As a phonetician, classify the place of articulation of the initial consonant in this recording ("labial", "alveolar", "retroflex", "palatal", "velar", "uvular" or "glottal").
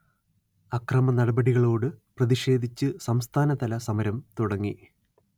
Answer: velar